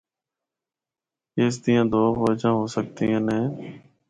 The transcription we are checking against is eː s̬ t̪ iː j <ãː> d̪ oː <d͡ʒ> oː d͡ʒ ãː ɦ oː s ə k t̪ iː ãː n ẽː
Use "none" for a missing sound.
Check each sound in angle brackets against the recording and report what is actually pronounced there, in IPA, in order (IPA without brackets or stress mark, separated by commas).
ãː, none